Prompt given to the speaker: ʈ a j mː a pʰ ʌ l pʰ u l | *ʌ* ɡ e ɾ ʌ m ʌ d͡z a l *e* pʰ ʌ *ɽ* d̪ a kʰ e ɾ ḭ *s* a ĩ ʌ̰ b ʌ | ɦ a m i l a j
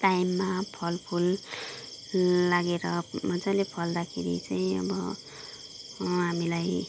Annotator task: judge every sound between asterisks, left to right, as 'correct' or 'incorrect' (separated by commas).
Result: incorrect, correct, incorrect, incorrect